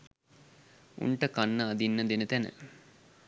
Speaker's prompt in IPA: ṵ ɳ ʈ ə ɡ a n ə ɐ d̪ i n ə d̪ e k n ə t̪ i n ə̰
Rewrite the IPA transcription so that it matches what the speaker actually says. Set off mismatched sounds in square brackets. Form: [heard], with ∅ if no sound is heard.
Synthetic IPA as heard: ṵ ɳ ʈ ə [k] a [nː] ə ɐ d̪ i [nː] ə d̪ e [∅] n ə t̪ [æ] n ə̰